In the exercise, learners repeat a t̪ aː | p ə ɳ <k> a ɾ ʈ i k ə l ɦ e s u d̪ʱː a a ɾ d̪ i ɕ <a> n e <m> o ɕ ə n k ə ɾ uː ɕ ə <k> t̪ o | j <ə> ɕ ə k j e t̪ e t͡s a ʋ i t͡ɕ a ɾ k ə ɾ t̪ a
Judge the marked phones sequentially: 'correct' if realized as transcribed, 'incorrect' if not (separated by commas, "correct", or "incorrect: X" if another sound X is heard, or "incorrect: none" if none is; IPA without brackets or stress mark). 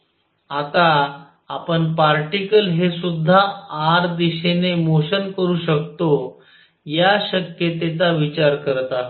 incorrect: p, incorrect: e, correct, correct, incorrect: a